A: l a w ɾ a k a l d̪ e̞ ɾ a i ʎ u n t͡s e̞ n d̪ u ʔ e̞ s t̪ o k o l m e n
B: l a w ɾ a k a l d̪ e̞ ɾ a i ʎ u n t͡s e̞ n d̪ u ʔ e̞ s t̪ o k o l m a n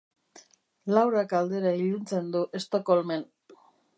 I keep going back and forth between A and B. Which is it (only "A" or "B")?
A